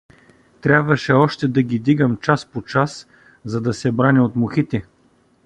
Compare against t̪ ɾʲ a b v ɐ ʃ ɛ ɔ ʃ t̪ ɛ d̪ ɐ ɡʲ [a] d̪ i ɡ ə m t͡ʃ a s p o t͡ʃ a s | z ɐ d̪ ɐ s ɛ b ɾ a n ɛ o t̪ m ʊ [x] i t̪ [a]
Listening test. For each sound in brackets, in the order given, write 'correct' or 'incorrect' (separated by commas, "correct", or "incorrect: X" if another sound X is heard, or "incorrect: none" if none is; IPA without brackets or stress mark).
incorrect: i, correct, incorrect: ɛ